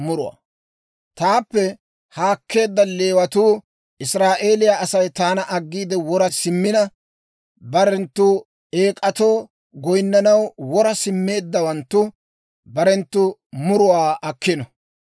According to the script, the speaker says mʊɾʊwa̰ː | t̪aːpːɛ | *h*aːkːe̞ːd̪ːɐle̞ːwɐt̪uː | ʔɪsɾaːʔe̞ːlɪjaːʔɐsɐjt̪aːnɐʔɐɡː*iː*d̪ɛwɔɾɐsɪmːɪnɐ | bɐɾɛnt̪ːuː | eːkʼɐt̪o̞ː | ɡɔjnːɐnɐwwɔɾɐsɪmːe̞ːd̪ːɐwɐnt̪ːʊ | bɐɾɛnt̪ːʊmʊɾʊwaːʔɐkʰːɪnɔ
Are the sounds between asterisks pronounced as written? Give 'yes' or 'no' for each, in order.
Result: yes, yes

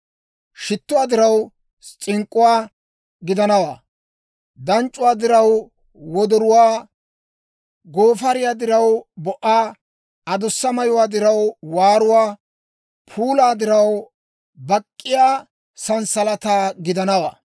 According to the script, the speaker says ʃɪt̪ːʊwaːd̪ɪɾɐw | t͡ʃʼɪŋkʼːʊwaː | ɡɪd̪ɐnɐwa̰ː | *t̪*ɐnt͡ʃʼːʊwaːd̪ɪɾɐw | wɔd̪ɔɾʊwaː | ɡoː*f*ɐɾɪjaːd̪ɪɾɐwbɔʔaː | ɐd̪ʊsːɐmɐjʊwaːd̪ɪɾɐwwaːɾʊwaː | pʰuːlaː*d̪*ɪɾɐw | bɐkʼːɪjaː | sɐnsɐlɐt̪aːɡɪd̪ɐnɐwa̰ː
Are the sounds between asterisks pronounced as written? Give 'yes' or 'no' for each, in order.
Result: no, yes, yes

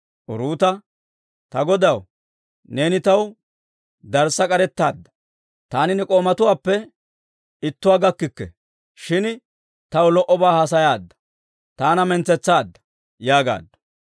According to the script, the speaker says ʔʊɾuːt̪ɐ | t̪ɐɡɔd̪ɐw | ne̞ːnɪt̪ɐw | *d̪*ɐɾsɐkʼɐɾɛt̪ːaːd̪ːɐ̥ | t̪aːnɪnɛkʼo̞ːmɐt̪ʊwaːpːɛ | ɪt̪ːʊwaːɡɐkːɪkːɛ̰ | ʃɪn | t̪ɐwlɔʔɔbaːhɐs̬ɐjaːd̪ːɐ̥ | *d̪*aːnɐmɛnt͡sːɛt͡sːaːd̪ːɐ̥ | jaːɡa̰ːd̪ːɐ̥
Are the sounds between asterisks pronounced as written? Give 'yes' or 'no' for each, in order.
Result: yes, no

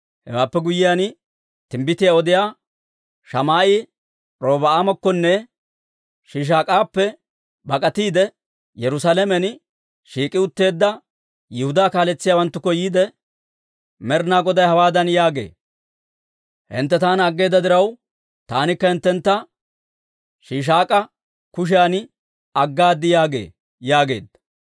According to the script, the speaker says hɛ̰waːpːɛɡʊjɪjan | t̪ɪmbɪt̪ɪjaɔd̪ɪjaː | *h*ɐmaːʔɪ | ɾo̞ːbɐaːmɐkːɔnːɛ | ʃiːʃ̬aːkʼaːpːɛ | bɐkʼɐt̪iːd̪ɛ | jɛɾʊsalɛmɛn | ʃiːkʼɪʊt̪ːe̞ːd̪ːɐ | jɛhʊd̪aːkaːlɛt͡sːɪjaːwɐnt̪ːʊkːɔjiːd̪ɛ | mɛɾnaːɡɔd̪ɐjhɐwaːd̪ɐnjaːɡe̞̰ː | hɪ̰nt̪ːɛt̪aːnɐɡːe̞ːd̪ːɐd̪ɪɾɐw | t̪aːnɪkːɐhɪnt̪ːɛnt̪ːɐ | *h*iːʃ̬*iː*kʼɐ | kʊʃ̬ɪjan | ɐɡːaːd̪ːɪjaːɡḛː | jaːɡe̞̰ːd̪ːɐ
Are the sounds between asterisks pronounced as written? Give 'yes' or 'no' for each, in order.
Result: no, no, no

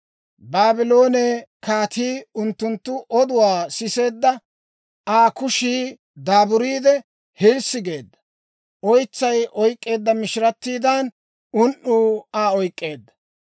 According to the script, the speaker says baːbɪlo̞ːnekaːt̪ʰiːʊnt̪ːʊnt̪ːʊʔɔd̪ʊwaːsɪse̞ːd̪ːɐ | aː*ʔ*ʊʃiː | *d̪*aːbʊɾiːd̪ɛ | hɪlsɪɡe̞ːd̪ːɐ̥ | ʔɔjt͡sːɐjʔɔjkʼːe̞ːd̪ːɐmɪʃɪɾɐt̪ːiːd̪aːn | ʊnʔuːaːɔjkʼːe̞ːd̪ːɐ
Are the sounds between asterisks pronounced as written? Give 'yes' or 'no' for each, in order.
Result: no, yes

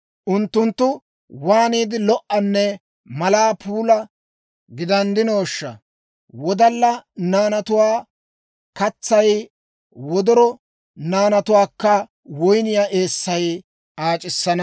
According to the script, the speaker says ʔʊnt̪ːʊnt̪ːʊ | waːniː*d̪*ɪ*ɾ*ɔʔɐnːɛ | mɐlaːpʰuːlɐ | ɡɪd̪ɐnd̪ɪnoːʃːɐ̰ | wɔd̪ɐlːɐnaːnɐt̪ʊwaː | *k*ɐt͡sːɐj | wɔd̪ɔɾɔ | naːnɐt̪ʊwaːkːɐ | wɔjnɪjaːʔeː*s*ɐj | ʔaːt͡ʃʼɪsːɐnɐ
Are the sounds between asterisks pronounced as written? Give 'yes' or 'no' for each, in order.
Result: yes, no, yes, no

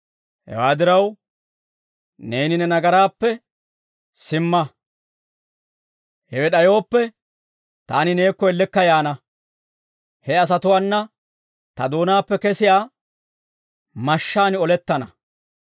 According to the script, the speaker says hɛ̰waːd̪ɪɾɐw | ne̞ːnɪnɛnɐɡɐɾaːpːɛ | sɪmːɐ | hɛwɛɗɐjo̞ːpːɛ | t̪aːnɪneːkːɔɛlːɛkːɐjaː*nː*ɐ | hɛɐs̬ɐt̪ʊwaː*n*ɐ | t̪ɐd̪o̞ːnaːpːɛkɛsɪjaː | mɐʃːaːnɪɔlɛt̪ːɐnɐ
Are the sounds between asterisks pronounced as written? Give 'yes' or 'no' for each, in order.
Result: no, no

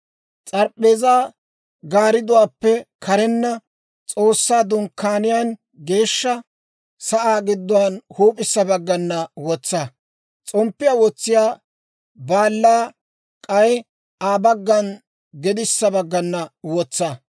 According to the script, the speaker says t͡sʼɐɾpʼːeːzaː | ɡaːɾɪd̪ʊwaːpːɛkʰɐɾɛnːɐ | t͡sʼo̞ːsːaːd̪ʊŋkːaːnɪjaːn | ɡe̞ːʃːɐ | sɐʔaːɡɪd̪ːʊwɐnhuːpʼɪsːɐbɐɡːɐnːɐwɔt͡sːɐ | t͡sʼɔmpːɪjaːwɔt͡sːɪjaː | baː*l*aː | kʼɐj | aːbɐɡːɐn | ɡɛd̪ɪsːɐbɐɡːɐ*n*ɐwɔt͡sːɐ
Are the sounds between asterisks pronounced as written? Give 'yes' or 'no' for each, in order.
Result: no, no

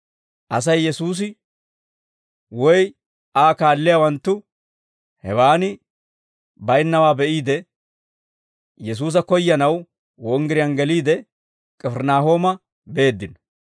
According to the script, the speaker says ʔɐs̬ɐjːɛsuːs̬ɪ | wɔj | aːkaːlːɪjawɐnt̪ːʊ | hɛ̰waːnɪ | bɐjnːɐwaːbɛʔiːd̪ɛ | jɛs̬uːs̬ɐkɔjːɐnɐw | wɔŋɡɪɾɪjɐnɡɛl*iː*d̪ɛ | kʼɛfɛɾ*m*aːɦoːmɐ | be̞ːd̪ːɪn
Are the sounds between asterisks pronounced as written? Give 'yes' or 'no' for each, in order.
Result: yes, no

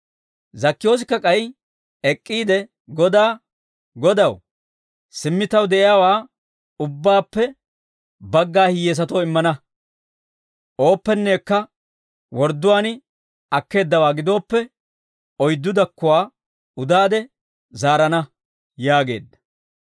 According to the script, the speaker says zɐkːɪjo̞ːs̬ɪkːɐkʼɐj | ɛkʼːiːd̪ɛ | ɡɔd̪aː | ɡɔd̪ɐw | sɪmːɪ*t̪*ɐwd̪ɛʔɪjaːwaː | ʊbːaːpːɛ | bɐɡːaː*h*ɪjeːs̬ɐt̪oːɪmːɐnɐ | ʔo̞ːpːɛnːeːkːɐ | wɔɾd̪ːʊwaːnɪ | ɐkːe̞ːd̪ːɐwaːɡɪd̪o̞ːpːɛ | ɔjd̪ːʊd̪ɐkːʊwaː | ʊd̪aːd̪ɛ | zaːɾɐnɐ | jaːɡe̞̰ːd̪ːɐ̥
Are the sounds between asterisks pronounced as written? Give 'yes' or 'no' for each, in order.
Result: yes, yes

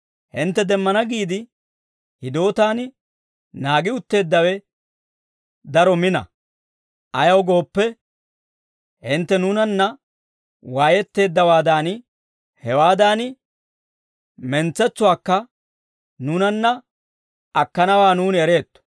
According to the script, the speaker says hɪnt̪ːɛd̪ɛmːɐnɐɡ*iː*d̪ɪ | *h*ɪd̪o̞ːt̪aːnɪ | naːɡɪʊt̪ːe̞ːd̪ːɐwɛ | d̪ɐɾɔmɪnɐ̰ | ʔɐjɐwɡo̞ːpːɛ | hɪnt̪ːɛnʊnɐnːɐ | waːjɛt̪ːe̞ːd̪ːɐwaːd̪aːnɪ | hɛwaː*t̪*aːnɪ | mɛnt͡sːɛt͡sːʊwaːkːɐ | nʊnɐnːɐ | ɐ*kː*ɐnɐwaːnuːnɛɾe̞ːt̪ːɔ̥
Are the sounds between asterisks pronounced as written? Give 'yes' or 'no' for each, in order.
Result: yes, yes, no, yes

